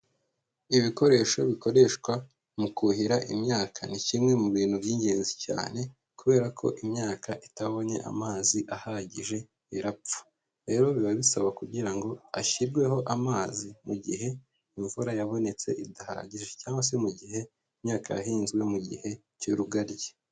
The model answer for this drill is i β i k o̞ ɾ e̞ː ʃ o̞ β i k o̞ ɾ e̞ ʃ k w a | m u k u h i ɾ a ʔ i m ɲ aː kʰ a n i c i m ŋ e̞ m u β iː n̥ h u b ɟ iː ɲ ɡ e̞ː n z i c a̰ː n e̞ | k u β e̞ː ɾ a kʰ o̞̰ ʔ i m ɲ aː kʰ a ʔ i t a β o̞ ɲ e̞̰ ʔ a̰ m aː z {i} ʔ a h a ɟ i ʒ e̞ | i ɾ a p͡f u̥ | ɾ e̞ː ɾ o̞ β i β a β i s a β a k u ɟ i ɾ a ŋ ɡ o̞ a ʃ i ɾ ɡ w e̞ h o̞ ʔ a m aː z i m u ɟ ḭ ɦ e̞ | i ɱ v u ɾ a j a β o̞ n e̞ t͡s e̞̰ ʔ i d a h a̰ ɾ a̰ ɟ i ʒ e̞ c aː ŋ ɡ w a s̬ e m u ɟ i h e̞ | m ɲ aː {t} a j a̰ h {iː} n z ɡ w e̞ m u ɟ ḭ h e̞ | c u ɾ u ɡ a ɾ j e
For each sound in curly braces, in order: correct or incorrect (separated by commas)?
correct, incorrect, correct